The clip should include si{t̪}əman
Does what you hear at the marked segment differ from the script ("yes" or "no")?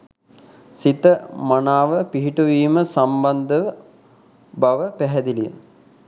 no